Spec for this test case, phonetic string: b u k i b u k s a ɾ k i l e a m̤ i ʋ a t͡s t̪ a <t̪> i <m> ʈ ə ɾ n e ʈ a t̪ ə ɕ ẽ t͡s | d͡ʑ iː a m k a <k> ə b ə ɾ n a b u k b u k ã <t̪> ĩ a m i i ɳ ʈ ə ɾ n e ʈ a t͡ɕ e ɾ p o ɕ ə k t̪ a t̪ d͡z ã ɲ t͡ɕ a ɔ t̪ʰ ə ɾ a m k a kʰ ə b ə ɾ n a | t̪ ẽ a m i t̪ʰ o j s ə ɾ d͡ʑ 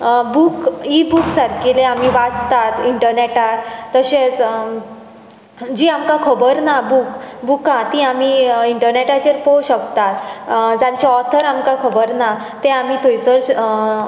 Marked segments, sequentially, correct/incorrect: correct, incorrect: ɳ, incorrect: kʰ, correct

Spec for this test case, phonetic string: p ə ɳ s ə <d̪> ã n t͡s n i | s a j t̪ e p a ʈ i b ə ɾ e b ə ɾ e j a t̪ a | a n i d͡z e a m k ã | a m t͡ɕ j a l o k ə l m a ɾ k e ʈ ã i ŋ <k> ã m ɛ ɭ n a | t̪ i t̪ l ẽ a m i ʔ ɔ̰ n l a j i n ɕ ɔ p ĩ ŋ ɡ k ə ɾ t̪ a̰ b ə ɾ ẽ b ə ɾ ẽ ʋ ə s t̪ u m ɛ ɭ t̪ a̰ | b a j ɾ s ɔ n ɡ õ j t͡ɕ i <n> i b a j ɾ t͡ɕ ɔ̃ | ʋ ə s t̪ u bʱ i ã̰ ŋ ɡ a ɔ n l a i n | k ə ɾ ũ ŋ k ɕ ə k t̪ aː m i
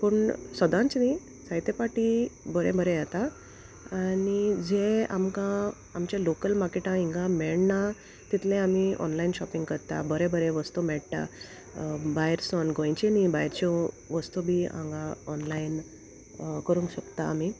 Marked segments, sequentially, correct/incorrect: correct, incorrect: ɡ, correct

